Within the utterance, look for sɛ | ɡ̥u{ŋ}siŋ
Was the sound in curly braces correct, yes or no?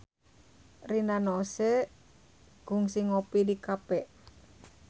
yes